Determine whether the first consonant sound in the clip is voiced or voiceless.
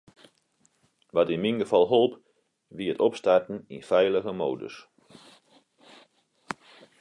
voiced